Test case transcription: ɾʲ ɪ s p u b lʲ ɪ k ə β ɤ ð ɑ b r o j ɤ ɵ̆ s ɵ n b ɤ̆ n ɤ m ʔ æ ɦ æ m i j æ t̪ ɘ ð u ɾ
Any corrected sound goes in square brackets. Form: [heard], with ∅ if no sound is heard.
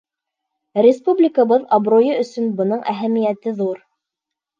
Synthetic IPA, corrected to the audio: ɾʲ ɪ s p u b lʲ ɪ k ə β ɤ ð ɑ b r o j ɤ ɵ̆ s ɵ n b ɤ̆ n ɤ [ɴ] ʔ æ ɦ æ m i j æ t̪ ɘ ð u ɾ